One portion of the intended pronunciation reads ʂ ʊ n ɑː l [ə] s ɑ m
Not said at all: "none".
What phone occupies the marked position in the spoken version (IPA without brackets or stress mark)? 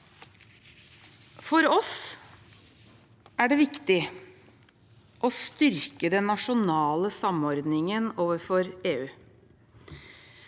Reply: ə